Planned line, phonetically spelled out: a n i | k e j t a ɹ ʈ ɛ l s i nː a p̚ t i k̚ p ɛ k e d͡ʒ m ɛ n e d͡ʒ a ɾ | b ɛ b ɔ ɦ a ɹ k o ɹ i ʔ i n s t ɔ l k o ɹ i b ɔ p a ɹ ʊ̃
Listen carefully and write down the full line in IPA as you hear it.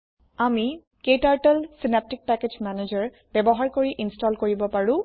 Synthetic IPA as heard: a m i | k e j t a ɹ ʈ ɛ l s i n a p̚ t i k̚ p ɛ k e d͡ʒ m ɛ n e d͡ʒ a ɹ | b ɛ b ɔ ɦ a ɹ k o ɹ i ʔ i n s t ɔ l k o ɹ i b ɔ p a ɹ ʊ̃